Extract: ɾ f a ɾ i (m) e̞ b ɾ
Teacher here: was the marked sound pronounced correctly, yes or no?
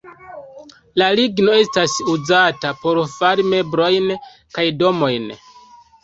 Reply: yes